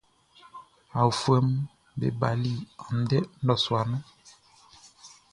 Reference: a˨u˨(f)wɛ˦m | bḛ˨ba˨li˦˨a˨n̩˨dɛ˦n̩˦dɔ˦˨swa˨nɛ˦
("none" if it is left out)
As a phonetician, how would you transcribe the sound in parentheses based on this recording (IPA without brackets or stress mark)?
f